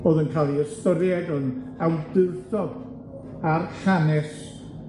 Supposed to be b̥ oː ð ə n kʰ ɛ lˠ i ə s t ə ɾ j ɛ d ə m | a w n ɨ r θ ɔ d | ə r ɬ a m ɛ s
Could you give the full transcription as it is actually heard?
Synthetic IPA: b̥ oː ð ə n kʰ a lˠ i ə s t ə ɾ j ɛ d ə n | a w d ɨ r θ ɔ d | a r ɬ a n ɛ s